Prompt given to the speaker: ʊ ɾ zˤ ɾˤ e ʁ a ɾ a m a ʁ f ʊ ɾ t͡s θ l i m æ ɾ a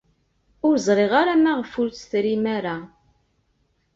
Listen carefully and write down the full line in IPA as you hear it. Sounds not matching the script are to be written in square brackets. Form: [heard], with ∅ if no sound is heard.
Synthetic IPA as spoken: ʊ ɾ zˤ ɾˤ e ʁ a ɾ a m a ʁ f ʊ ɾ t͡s θ [ɾ] i m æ ɾ a